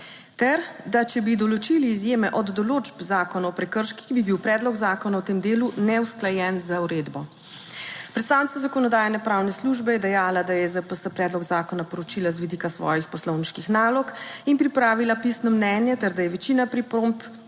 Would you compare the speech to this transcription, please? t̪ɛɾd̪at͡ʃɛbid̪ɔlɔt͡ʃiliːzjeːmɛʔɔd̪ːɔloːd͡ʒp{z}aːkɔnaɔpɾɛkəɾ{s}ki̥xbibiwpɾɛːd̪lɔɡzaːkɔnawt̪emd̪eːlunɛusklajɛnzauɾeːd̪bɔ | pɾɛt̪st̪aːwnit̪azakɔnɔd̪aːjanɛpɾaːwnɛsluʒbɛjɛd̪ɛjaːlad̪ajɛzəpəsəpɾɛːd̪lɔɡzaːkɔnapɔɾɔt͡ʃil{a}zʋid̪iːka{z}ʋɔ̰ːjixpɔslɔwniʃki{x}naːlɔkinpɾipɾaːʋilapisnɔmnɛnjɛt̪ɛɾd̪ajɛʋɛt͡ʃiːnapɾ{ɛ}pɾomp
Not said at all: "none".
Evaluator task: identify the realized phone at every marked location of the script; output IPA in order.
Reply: z, ʃ, a, s, x, i

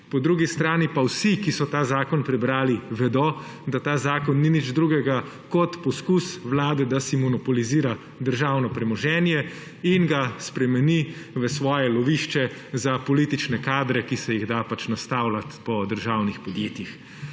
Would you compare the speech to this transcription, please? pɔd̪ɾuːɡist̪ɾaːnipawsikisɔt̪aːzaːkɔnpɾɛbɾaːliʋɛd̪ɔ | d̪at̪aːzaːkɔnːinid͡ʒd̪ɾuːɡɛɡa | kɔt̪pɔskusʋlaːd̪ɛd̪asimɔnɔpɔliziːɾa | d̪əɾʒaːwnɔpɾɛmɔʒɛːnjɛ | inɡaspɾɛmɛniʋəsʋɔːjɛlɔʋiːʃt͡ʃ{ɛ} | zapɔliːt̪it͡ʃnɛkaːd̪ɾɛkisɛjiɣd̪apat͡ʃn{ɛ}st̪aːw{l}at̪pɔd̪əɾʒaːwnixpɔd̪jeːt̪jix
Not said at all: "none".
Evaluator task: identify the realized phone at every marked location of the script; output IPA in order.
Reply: ɛ, a, l

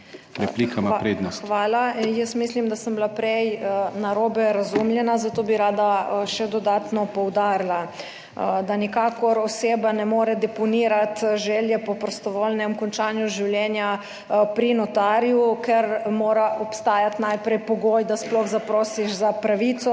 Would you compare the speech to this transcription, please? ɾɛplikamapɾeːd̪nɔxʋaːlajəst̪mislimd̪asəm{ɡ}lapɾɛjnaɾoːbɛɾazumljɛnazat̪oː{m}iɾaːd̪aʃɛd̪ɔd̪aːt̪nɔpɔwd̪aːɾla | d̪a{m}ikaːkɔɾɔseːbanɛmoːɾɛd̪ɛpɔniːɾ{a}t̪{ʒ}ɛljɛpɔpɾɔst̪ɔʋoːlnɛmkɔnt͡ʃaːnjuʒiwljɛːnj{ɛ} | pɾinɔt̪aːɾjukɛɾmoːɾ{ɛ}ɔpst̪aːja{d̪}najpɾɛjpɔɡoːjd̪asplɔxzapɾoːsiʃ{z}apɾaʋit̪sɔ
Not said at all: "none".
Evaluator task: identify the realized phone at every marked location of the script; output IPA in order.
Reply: b, b, n, a, ʒ, a, a, t̪, z

